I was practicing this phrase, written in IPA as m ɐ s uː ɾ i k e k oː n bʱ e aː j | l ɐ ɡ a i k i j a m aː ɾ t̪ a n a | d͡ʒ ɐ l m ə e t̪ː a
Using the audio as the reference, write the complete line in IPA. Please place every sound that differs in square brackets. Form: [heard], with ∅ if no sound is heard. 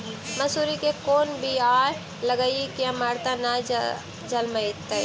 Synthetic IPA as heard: m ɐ s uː ɾ i k e k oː n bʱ [i] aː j | l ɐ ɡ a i k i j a m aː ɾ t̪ a n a | d͡ʒ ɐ l m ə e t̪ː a